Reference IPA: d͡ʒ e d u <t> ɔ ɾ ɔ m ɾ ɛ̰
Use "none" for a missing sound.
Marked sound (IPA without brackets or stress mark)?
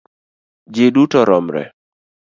t